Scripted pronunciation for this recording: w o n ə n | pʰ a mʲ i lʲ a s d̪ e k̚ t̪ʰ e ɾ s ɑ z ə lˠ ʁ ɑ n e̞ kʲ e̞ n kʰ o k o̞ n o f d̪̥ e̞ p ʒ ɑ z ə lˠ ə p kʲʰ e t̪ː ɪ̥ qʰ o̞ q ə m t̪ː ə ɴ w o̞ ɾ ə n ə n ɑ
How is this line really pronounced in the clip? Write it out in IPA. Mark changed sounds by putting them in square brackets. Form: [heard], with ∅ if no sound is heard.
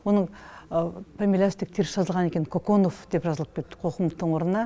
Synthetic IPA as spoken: w o n ə [ɴ] | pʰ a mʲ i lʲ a s [t̪] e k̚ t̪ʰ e ɾ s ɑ z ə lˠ ʁ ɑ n e̞ kʲ e̞ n kʰ o k o̞ n o f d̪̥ e̞ p ʒ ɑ z ə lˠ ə p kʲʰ e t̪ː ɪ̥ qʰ o̞ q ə m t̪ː ə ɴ w o̞ ɾ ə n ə n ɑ